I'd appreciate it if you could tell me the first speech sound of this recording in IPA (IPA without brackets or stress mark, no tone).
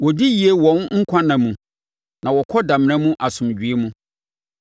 w